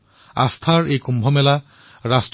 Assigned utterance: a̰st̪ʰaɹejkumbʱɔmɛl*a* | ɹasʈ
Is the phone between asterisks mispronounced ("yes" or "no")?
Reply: no